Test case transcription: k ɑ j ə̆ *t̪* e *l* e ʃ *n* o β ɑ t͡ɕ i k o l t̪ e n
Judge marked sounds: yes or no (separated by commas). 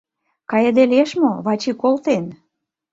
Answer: no, yes, no